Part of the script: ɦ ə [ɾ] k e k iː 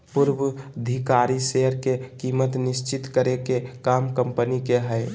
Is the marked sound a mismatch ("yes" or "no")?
no